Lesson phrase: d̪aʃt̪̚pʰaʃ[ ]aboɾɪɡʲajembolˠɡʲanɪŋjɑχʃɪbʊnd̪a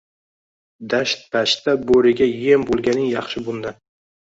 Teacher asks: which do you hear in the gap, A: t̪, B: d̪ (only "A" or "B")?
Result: A